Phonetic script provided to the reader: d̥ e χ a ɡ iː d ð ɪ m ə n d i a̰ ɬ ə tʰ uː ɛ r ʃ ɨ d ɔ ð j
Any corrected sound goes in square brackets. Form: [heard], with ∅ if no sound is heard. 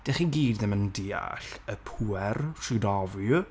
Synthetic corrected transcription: d̥ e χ [i] ɡ iː d ð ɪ m ə n d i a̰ ɬ ə [pʰ] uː ɛ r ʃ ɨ d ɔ [v] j

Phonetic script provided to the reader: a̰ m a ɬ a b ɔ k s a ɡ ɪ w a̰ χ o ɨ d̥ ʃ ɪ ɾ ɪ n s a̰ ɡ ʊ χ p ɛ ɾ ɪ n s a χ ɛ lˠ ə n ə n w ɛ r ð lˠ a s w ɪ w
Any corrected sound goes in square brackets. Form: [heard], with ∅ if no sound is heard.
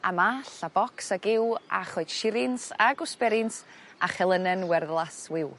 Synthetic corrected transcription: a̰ m a ɬ a b ɔ k s a ɡ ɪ w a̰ χ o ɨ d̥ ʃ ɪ ɾ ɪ n s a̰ ɡ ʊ [s] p ɛ ɾ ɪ n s a χ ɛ lˠ ə n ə n w ɛ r ð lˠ a s w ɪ w

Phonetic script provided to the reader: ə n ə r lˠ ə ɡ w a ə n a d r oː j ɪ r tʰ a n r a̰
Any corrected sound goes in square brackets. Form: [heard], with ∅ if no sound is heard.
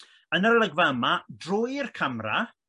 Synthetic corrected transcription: ə n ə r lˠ ə ɡ [v] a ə [m] a d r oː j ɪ r [kʰ] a [m] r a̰

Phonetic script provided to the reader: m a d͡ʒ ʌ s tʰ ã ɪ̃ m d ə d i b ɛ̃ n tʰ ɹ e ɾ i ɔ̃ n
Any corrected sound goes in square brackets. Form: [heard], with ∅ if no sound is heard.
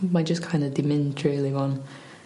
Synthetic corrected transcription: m a d͡ʒ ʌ s [kʰ] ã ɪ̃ [n] d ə d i [m] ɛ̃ n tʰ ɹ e [l] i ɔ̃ n

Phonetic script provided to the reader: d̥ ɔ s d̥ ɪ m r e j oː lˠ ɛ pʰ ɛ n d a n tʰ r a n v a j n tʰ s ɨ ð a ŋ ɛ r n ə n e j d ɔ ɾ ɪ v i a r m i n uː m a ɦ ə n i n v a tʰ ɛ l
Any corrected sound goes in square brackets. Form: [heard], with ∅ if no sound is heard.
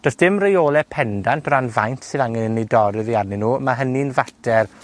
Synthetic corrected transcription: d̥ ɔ s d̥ ɪ m r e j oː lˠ ɛ pʰ ɛ n d a n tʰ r a n v a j n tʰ s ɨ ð a ŋ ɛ [∅] n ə n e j d ɔ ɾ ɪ [ð] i a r [n] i n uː m a ɦ ə n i n v a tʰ ɛ [r]

